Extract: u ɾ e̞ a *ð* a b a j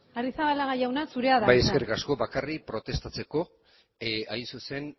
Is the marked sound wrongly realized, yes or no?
no